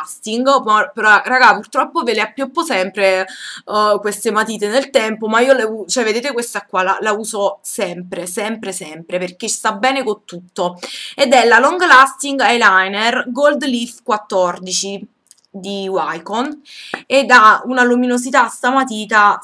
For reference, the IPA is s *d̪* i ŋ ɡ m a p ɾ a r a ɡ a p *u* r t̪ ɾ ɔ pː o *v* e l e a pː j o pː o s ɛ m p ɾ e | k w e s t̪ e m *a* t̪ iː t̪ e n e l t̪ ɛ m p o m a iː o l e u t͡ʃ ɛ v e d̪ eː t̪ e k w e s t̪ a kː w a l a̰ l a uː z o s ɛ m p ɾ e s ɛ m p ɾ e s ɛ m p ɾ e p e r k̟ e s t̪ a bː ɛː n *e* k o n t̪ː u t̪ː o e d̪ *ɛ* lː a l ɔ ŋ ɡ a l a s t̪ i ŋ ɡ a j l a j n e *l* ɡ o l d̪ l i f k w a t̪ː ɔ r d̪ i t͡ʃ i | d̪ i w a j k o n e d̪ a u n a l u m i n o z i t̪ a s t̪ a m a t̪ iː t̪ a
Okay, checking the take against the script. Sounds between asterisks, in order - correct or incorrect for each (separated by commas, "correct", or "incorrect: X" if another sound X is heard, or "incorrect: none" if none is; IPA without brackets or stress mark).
incorrect: t̪, correct, correct, correct, correct, correct, incorrect: r